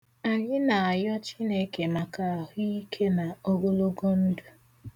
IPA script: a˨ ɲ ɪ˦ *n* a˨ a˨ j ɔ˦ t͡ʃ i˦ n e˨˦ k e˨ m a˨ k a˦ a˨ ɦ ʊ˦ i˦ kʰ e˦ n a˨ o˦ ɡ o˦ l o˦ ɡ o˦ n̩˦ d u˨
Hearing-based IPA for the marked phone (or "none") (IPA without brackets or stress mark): n